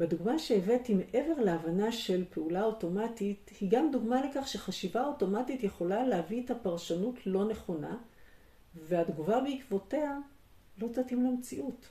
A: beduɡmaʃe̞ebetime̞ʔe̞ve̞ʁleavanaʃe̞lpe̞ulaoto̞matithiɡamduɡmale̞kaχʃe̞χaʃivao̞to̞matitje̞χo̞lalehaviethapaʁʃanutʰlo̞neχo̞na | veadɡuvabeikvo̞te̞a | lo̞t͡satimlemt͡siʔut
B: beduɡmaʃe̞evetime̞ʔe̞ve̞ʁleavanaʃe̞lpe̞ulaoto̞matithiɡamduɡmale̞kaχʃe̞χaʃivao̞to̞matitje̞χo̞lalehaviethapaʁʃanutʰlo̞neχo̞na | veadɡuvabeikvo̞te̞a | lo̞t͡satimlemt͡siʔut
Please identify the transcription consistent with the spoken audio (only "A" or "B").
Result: B